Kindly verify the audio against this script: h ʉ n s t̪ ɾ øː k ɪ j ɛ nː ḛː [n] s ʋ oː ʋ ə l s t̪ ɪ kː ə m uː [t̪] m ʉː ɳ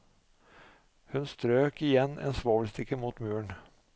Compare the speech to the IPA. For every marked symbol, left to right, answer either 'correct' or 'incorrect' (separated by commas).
correct, correct